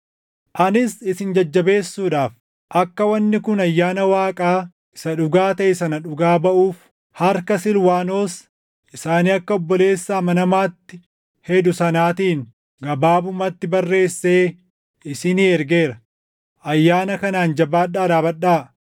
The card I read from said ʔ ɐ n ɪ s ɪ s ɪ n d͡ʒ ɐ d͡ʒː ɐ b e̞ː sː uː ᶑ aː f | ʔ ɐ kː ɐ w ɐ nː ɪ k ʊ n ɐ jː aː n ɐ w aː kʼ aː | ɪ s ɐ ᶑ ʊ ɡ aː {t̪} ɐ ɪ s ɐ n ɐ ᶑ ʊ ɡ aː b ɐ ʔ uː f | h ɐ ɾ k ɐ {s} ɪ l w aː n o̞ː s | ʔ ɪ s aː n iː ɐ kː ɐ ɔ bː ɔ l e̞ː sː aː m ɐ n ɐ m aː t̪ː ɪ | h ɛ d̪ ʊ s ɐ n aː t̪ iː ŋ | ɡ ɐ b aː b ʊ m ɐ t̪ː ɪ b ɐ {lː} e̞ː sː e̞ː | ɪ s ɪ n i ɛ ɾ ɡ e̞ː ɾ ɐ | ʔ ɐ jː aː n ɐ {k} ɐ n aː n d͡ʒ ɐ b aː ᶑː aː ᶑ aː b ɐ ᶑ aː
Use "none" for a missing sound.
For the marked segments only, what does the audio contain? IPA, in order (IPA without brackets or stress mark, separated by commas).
t̪, s, rː, k